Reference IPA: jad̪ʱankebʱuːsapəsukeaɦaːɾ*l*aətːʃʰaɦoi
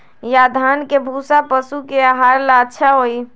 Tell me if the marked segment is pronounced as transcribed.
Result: yes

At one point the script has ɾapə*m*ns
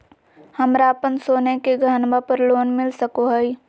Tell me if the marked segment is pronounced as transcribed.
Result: no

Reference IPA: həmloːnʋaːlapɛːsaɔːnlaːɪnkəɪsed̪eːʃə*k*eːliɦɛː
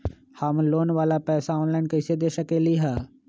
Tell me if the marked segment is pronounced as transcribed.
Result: yes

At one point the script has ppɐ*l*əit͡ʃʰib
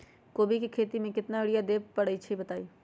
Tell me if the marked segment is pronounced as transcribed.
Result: no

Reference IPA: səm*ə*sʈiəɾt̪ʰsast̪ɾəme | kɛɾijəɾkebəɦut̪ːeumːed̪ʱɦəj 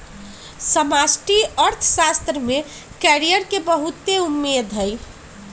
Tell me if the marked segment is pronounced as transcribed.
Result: no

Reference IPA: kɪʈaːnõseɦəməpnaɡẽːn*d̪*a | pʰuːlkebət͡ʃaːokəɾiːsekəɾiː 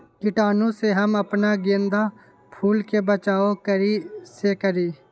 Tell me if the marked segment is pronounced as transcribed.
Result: yes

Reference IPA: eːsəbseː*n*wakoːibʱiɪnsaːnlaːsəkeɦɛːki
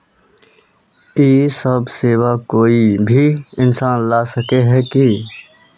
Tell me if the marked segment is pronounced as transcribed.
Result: no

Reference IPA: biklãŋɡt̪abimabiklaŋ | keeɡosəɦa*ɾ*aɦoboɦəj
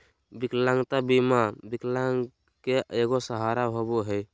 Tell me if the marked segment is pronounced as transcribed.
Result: yes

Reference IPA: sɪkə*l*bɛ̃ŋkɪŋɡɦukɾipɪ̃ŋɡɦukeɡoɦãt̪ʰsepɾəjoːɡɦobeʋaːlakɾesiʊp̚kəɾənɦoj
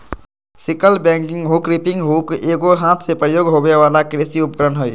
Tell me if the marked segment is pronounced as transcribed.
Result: yes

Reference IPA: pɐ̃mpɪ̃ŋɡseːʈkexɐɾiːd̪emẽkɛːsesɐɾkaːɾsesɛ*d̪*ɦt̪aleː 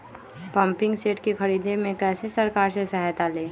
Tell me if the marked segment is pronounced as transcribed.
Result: no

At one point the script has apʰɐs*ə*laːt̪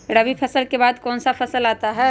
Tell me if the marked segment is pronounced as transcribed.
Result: yes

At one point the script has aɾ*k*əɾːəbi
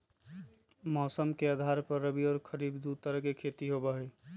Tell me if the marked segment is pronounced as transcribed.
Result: no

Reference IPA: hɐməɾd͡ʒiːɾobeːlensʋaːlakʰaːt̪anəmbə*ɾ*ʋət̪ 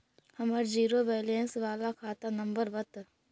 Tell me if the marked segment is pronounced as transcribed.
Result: yes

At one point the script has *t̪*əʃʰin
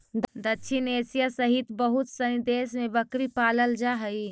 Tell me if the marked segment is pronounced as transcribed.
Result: no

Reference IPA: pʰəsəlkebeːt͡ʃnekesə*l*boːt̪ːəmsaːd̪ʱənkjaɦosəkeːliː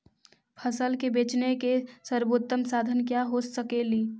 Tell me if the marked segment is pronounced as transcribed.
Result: no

